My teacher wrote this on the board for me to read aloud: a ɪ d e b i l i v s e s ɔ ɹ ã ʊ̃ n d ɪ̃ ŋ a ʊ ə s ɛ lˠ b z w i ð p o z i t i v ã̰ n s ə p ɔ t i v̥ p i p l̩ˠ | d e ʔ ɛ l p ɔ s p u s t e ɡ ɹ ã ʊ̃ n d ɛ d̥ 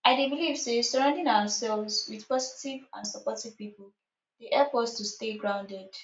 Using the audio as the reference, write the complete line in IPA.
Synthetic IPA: a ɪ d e b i l i v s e s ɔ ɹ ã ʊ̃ n d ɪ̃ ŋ a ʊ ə s ɛ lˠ v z w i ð p ɔ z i t i v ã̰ n s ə p ɔ t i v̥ p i p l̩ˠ | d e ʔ ɛ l p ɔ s t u s t e ɡ ɹ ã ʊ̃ n d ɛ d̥